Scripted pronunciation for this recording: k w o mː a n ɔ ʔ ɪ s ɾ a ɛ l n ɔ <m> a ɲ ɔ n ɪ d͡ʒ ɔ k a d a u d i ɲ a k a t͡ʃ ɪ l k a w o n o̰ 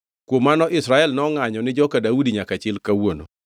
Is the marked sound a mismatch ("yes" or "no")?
yes